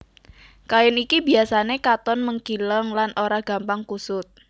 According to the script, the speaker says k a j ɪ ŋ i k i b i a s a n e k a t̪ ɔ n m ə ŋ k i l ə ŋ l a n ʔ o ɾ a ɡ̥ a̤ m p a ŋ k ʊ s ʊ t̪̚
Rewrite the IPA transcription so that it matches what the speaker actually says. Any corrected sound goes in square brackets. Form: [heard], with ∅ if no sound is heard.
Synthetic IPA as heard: k a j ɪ [n] i k i b i a s a n e k a t̪ ɔ n m ə ŋ k i l ə ŋ l a n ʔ o ɾ a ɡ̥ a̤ m p a ŋ k [u] s ʊ t̪̚